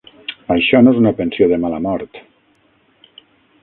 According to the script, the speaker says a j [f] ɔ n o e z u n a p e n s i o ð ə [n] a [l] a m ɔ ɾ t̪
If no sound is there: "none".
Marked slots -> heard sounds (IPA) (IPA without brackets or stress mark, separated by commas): ʃ, m, l